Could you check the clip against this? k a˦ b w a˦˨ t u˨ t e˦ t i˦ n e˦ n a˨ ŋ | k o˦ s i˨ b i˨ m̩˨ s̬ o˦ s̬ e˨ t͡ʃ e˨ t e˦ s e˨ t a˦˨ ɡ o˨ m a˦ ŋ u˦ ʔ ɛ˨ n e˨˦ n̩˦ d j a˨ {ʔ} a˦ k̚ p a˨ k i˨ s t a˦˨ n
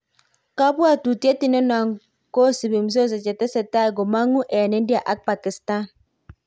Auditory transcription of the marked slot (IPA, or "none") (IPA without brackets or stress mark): ʔ